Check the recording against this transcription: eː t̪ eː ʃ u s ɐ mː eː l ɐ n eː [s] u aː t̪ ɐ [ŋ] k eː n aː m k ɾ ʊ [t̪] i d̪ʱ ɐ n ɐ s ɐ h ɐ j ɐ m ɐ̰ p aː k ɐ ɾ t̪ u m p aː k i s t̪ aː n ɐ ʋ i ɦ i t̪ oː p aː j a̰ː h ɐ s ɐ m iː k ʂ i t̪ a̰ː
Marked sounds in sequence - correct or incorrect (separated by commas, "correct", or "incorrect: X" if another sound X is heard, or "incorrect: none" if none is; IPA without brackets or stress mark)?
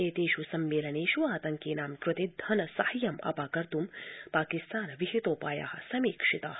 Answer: incorrect: ʃ, correct, correct